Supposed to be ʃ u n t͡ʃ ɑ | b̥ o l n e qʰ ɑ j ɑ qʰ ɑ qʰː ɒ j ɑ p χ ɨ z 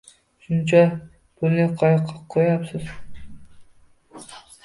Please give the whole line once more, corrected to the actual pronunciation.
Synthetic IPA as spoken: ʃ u n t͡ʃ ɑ | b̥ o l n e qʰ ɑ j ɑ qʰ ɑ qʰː o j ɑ p s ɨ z